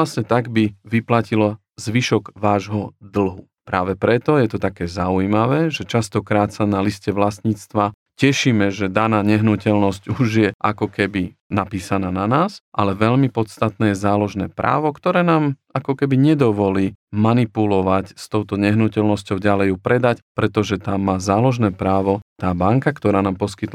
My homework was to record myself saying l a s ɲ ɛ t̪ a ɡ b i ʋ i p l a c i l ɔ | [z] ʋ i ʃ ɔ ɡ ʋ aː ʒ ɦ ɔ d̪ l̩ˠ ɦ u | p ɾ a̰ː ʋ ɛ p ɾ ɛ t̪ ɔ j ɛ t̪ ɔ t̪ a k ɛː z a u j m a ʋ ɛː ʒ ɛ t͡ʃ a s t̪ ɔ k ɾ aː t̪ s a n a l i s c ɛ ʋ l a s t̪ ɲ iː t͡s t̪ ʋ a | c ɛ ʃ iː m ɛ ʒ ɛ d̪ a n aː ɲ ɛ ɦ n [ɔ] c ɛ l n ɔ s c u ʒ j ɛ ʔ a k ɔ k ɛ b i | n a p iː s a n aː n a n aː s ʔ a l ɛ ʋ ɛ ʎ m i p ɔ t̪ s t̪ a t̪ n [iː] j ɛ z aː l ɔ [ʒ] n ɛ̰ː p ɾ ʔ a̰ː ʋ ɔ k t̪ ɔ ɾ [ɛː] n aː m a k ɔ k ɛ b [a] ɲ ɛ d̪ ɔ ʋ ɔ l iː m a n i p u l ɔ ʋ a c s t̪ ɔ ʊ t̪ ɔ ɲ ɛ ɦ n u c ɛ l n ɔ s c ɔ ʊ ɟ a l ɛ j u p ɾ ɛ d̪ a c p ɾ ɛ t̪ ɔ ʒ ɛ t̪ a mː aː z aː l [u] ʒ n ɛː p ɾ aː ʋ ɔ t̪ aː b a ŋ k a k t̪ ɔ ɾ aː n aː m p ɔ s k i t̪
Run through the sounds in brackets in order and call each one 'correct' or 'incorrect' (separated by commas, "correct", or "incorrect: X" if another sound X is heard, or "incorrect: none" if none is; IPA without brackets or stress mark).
correct, incorrect: u, incorrect: ɛː, correct, correct, incorrect: i, incorrect: ɔ